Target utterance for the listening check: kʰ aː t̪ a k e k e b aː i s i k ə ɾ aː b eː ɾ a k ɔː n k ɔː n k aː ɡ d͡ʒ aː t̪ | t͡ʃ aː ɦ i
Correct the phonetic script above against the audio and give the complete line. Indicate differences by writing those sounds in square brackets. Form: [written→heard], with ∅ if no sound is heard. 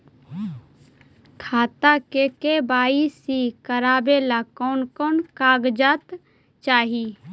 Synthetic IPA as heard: kʰ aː t̪ a k e k e b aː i s i k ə ɾ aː b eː [ɾ→l] a k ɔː n k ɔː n k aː ɡ d͡ʒ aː t̪ | t͡ʃ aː ɦ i